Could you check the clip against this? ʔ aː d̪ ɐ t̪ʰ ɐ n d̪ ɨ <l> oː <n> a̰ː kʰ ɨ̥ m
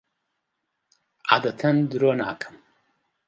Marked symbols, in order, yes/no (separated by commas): no, yes